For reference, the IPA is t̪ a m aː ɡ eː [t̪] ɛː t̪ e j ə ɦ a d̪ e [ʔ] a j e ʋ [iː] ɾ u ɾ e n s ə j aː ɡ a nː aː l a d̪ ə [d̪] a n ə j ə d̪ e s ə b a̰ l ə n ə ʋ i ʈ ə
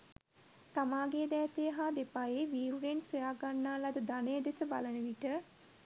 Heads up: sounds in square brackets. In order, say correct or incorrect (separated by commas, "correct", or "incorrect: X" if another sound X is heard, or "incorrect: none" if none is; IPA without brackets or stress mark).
incorrect: d̪, incorrect: p, correct, correct